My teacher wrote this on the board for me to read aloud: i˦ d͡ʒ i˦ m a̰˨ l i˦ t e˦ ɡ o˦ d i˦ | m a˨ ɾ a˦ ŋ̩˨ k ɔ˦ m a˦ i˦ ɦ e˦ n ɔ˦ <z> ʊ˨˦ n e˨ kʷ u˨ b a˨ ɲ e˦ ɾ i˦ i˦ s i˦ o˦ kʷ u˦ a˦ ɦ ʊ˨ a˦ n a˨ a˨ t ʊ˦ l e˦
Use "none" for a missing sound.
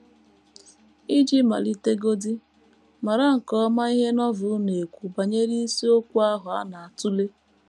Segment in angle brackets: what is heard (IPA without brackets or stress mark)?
v